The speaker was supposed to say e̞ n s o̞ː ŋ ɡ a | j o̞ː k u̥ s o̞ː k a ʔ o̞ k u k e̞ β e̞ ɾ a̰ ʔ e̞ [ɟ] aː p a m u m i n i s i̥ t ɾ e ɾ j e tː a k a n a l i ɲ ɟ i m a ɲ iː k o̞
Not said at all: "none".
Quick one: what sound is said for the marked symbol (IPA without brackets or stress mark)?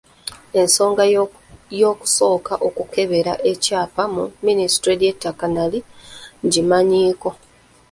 c